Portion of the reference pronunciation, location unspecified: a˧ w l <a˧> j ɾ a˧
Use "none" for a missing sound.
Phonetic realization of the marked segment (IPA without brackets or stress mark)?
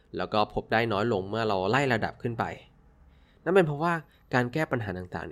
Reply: a˥˩